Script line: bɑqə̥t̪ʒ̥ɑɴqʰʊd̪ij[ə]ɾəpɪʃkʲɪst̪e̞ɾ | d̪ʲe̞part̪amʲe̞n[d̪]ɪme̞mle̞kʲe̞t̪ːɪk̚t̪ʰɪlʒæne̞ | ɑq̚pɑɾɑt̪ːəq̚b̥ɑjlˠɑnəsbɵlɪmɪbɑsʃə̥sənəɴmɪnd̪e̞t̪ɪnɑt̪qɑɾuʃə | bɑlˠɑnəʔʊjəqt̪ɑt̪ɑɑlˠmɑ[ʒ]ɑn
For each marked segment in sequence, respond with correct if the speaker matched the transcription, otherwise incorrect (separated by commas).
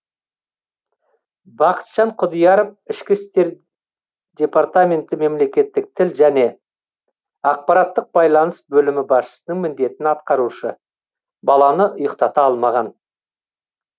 incorrect, incorrect, incorrect